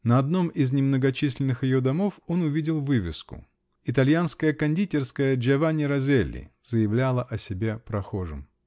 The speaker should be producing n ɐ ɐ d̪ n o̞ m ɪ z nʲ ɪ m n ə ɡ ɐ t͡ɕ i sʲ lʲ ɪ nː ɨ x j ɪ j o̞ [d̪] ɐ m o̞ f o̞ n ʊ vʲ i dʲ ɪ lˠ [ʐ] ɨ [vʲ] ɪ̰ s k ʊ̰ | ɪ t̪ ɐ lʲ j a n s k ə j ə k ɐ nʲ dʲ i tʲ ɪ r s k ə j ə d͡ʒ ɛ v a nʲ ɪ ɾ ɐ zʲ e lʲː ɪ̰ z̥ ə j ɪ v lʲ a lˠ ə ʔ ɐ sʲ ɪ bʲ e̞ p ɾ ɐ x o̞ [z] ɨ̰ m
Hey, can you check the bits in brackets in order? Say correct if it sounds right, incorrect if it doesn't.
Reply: correct, incorrect: v, correct, incorrect: ʐ

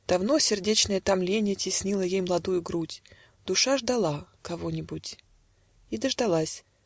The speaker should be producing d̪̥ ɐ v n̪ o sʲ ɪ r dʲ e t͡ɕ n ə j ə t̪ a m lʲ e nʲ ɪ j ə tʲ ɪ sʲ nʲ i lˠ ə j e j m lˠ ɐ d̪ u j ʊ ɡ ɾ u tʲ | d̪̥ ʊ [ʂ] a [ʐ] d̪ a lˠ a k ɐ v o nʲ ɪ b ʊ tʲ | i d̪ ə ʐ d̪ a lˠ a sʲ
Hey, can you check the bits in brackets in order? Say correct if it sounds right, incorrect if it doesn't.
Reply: correct, correct

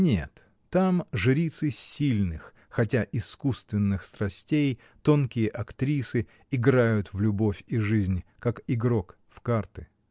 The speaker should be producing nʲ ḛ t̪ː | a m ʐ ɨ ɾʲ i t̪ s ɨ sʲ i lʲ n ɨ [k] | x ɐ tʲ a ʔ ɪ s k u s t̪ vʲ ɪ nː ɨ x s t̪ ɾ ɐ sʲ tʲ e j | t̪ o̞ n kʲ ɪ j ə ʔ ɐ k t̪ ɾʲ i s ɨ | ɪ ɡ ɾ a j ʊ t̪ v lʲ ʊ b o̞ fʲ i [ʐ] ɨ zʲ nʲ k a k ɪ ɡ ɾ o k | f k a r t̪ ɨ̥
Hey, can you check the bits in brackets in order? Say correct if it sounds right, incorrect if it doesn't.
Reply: incorrect: x, correct

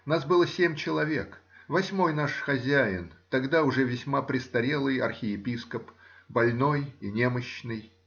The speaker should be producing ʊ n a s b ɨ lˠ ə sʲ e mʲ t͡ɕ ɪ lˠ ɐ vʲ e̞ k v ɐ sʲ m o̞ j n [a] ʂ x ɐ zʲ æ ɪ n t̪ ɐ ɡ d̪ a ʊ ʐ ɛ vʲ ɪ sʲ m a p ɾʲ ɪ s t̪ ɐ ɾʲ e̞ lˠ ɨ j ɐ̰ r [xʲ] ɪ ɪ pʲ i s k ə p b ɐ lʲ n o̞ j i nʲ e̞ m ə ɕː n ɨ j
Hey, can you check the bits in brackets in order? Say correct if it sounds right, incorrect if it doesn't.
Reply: correct, correct

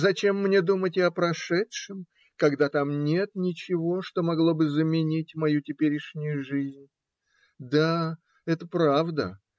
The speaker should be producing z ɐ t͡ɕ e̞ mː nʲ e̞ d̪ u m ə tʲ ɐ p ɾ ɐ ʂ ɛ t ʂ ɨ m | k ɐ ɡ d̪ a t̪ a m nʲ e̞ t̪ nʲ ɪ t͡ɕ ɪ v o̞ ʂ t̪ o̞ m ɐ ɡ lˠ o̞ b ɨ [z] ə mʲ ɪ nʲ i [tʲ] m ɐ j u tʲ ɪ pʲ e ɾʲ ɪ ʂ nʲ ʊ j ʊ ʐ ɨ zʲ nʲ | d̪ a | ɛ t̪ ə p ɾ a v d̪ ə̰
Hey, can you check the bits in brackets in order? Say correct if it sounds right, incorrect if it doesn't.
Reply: correct, correct

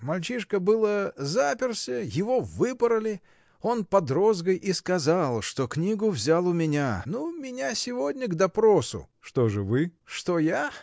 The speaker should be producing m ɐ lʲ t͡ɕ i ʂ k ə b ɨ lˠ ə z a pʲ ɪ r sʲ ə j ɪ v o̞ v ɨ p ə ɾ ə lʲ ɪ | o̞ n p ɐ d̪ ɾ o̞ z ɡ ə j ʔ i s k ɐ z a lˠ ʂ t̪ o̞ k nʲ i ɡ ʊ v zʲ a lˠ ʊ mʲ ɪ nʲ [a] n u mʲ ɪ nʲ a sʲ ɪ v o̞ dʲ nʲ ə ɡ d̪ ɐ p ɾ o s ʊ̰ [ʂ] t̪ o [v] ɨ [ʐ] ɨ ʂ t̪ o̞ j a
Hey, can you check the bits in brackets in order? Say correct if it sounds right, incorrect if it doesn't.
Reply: correct, correct, incorrect: ʐ, incorrect: v

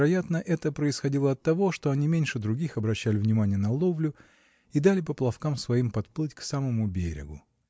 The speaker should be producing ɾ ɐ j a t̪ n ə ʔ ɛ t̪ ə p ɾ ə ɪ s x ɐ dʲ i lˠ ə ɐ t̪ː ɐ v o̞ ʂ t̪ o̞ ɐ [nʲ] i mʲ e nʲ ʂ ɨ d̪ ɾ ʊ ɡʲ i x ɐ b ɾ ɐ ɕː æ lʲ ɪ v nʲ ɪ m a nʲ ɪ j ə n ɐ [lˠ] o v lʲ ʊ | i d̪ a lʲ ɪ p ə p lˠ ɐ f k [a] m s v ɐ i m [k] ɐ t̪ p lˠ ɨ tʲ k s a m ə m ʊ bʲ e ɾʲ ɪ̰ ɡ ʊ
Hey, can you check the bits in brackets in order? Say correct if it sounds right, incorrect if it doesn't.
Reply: correct, correct, correct, incorrect: p

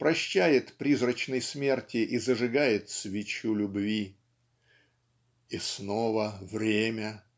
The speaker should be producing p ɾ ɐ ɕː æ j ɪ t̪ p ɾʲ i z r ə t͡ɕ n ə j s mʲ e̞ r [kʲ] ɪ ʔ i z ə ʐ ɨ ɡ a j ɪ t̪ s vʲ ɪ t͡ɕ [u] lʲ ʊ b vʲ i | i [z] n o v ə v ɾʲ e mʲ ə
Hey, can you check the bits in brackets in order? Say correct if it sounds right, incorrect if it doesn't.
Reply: incorrect: tʲ, correct, incorrect: s

